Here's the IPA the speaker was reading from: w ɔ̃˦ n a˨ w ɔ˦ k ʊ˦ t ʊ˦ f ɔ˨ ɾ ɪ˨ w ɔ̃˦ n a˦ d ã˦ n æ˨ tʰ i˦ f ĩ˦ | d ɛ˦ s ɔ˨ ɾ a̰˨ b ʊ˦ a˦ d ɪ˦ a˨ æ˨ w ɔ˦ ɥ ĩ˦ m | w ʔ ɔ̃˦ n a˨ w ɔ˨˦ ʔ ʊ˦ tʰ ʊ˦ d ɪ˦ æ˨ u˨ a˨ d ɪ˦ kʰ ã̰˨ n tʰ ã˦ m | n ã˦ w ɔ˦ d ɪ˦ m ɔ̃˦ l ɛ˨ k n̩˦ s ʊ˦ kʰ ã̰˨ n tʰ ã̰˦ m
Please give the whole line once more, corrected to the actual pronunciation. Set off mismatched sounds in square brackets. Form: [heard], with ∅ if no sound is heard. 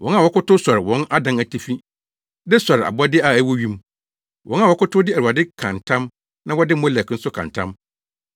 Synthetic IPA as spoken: w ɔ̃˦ n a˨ w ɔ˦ k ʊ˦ t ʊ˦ [s] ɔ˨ ɾ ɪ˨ w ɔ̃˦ n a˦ d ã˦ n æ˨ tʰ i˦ f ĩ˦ | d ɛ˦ s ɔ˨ ɾ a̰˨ b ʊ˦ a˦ d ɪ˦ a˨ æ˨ w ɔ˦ ɥ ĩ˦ m | w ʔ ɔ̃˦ n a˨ w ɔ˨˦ [k] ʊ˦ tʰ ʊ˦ d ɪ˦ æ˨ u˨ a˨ d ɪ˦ kʰ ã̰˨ n tʰ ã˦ m | n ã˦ w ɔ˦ d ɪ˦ m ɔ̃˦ l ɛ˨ k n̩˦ s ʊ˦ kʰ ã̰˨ n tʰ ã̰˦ m